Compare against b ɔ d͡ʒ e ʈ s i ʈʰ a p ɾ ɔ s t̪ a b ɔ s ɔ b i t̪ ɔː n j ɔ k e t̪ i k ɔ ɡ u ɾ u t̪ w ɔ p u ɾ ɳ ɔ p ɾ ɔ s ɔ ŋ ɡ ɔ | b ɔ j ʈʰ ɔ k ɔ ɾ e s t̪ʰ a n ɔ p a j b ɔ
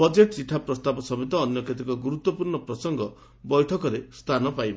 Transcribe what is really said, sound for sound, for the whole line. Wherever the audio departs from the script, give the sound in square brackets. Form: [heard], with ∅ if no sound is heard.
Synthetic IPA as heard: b ɔ d͡ʒ e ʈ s i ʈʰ a p ɾ ɔ s t̪ a b ɔ s ɔ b i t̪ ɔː n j ɔ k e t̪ i k ɔ ɡ u ɾ u t̪ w ɔ p u ɾ ɳ ɔ p ɾ ɔ s ɔ ŋ ɡ ɔ | b ɔ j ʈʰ ɔ k ɔ ɾ e s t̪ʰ a n ɔ p a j b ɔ